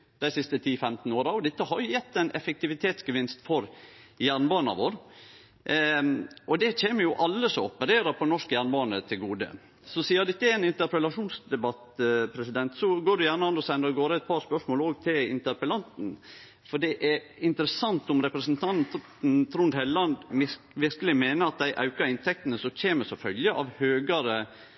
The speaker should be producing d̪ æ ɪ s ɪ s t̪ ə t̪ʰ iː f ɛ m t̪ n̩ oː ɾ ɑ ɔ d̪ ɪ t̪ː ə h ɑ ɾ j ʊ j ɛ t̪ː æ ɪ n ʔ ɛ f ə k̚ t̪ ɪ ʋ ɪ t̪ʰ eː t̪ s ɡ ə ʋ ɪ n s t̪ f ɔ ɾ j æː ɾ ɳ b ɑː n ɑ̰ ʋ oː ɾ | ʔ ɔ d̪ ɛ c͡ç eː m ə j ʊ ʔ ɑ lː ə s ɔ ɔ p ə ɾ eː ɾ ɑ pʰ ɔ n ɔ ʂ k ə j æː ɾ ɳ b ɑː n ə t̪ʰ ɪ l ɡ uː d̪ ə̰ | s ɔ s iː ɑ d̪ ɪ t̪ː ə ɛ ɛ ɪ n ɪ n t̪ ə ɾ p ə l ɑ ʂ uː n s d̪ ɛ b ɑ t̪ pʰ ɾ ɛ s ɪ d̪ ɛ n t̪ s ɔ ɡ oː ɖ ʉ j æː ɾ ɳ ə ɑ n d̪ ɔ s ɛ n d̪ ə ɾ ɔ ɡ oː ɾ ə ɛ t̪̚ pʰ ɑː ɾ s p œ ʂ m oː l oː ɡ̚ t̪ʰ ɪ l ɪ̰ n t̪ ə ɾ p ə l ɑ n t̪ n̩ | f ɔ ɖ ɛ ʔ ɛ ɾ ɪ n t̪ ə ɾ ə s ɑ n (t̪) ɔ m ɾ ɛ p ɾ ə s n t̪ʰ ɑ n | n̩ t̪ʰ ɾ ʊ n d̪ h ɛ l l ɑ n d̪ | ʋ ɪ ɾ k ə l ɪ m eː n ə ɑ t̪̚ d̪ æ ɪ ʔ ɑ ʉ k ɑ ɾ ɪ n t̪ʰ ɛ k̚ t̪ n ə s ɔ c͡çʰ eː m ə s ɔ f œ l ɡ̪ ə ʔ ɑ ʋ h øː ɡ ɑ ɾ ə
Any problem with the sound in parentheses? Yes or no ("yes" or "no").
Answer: no